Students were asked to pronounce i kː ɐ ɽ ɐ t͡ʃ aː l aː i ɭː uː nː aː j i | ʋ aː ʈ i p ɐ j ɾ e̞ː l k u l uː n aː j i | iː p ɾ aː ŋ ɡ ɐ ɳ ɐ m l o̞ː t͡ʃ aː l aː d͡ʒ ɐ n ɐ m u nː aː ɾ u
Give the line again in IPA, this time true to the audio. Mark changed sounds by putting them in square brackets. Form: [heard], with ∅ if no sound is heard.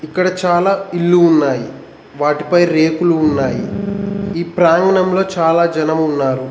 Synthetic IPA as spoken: i kː ɐ ɽ ɐ t͡ʃ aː l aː i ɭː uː nː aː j i | ʋ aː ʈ i p ɐ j ɾ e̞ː [∅] k u l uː [nː] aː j i | iː p ɾ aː ŋ ɡ ɐ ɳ ɐ m l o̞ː t͡ʃ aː l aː d͡ʒ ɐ n ɐ m u nː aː ɾ u

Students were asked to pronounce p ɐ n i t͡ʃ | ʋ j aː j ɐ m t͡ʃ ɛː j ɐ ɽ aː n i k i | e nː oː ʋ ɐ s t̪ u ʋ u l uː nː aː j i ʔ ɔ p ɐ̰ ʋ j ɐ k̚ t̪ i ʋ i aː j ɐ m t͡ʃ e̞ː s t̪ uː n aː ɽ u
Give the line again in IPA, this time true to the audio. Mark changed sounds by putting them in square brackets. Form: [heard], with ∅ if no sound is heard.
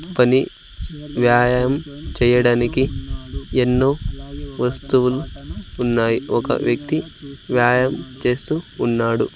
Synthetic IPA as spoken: p ɐ n i [∅] | ʋ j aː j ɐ m t͡ʃ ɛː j ɐ ɽ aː n i k i | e nː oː ʋ ɐ s t̪ u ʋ u l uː nː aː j i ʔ ɔ [k] ɐ̰ ʋ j ɐ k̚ t̪ i ʋ [j] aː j ɐ m t͡ʃ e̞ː s t̪ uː [nː] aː ɽ u

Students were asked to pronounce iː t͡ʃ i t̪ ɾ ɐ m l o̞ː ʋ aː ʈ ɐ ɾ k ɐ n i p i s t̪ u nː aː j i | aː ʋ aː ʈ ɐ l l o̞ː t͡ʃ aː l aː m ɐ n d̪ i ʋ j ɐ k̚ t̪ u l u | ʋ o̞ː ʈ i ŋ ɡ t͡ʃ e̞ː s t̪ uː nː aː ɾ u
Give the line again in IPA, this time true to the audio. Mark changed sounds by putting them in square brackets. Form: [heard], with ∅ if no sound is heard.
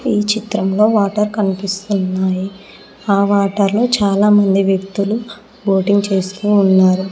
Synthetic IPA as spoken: iː t͡ʃ i t̪ ɾ ɐ m l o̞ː ʋ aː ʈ ɐ ɾ k ɐ n i p i s t̪ u nː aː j i | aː ʋ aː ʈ ɐ [ɾ] l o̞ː t͡ʃ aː l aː m ɐ n d̪ i ʋ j ɐ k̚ t̪ u l u | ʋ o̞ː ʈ i ŋ ɡ t͡ʃ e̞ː s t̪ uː nː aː ɾ u

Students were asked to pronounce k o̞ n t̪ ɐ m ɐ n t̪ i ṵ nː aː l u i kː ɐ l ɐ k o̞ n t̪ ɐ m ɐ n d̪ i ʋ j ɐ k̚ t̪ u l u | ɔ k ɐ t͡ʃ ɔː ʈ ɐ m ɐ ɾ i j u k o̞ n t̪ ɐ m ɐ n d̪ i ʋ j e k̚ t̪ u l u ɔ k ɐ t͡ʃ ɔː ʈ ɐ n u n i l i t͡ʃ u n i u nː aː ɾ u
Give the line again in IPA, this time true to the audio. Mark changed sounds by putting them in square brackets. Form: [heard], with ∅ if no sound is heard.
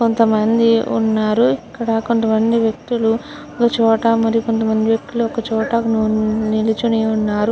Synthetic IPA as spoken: k o̞ n t̪ ɐ m ɐ n [d̪] i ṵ nː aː [ɾ] u i kː ɐ [ɽ] ɐ k o̞ n t̪ ɐ m ɐ n d̪ i ʋ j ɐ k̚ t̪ u l u | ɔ k ɐ t͡ʃ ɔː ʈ ɐ m ɐ ɾ i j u k o̞ n t̪ ɐ m ɐ n d̪ i ʋ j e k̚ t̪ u l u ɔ k ɐ t͡ʃ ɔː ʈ ɐ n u n i l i t͡ʃ u n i u nː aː ɾ u

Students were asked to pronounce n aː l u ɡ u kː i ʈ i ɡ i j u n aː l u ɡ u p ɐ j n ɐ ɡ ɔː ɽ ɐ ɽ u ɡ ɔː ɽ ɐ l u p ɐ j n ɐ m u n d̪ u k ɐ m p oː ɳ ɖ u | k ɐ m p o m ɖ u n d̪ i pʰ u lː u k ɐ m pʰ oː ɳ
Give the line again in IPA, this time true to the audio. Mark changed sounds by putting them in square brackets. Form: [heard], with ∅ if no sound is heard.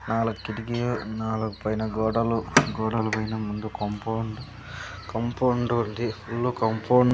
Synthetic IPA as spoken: n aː l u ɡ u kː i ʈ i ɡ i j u n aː l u ɡ u p ɐ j n ɐ ɡ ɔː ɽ ɐ [l] u ɡ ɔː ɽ ɐ l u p ɐ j n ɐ m u n d̪ u k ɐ m p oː ɳ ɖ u | k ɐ m p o [ɳ] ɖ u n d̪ i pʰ u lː u k ɐ m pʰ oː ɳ

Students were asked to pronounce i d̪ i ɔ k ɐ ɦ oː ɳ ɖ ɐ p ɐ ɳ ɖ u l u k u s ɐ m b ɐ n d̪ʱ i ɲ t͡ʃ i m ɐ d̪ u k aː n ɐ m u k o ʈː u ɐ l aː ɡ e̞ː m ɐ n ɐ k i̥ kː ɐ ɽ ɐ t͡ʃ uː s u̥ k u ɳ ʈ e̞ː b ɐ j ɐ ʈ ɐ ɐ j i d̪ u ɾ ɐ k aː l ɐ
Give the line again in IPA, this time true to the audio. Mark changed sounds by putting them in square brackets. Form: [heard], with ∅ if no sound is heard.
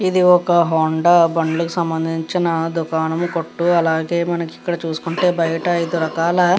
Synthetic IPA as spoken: i d̪ i ɔ k ɐ ɦ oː ɳ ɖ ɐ [b] ɐ ɳ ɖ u l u k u s ɐ m b ɐ n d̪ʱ i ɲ t͡ʃ i [n] ɐ d̪ u k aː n ɐ m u k o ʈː u ɐ l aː ɡ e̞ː m ɐ n ɐ k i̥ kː ɐ ɽ ɐ t͡ʃ uː s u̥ k u ɳ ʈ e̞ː b ɐ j ɐ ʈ ɐ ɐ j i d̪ u ɾ ɐ k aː l ɐ

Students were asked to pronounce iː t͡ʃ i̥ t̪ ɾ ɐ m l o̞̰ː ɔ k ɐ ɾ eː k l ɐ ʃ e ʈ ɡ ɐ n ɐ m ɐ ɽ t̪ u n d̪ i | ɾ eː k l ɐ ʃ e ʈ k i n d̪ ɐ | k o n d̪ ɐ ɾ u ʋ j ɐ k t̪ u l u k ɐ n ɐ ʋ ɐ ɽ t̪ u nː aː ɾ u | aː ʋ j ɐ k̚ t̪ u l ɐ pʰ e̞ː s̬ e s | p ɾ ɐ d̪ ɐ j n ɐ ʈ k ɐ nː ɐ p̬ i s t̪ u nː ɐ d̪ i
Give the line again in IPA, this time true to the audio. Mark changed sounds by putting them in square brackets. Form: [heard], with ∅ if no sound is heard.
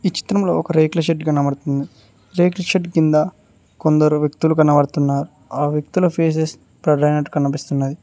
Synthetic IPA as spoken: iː t͡ʃ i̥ t̪ ɾ ɐ m l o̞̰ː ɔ k ɐ ɾ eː k l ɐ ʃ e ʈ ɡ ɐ n ɐ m ɐ ɽ t̪ u n d̪ i | ɾ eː k l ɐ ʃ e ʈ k i n d̪ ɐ | k o n d̪ ɐ ɾ u ʋ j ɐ k t̪ u l u k ɐ n ɐ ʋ ɐ ɽ t̪ u nː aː ɾ u | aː ʋ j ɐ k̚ t̪ u l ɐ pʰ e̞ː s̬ e s | p ɾ ɐ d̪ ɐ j n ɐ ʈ k ɐ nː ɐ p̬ i s t̪ u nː ɐ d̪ i

